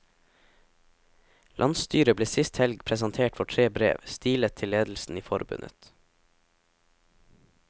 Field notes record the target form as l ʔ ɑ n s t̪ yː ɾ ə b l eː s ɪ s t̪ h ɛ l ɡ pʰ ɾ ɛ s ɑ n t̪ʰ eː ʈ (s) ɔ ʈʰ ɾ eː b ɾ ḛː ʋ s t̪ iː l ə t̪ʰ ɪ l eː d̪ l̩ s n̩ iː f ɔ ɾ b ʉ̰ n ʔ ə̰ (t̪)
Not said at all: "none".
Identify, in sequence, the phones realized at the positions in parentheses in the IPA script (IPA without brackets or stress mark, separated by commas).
f, t̪